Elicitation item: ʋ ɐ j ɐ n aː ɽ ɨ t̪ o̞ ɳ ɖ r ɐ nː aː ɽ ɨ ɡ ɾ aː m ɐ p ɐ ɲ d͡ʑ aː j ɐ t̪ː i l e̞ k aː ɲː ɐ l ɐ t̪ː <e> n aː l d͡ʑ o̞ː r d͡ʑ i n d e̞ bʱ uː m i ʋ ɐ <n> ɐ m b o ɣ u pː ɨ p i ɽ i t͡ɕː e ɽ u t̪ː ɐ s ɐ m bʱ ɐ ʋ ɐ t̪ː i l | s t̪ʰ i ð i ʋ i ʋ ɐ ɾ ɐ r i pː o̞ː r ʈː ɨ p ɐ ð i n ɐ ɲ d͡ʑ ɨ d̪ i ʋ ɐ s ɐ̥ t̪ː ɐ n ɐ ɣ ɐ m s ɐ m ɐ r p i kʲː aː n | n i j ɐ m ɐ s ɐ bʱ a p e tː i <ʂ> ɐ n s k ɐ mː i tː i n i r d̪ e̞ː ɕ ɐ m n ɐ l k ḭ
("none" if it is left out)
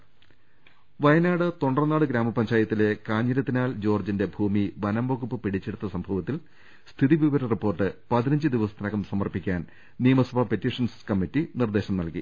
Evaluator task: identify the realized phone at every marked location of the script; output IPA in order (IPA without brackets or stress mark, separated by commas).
i, n, ʂ